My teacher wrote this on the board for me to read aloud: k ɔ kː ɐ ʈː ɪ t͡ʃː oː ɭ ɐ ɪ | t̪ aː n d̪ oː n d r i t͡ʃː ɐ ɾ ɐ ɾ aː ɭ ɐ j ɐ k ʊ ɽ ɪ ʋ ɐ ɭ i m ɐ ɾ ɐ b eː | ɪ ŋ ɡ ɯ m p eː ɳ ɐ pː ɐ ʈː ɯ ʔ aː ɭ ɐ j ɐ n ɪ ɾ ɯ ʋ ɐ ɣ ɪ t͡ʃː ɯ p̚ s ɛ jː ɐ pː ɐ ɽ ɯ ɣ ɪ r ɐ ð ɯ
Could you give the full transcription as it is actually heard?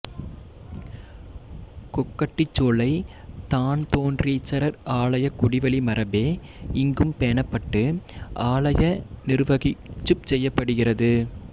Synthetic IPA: k ɔ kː ɐ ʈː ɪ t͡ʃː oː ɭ ɐ ɪ | t̪ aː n t̪ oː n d r i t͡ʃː ɐ ɾ ɐ ɾ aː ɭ ɐ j ɐ k ʊ ɽ ɪ ʋ ɐ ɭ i m ɐ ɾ ɐ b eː | ɪ ŋ ɡ ɯ m p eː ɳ ɐ pː ɐ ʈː ɯ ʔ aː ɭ ɐ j ɐ n ɪ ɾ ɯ ʋ ɐ ɣ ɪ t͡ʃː ɯ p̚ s ɛ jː ɐ pː ɐ ɽ ɯ ɣ ɪ r ɐ ð ɯ